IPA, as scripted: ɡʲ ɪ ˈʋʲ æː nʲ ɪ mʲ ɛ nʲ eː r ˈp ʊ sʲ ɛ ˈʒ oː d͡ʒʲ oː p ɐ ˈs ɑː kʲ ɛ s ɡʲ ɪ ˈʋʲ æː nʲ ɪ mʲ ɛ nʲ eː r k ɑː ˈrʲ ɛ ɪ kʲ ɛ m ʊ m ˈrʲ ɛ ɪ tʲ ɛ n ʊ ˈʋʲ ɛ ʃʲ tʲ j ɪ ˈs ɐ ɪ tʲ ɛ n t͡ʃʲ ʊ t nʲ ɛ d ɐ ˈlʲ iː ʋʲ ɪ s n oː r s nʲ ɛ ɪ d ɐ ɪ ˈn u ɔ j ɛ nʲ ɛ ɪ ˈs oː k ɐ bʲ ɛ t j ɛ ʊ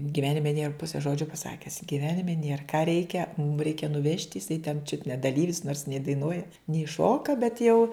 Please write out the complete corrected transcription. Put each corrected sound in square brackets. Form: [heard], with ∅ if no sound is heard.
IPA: ɡʲ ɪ ˈʋʲ æː nʲ ɪ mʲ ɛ nʲ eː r ˈp ʊ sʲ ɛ ˈʒ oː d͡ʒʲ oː p ɐ ˈs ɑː kʲ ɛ s ɡʲ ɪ ˈʋʲ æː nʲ ɪ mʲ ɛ nʲ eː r k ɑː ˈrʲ ɛ ɪ kʲ ɛ m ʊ m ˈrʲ ɛ ɪ [kʲ] ɛ n ʊ ˈʋʲ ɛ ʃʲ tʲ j ɪ ˈs ɐ ɪ tʲ ɛ n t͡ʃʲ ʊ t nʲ ɛ d ɐ ˈlʲ iː ʋʲ ɪ s n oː r s nʲ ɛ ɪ d ɐ ɪ ˈn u ɔ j ɛ nʲ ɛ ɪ [ˈʃ] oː k ɐ bʲ ɛ t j ɛ ʊ